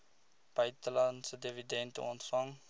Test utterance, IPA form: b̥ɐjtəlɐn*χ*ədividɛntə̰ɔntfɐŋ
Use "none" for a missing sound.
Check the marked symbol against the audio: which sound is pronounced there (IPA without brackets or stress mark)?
s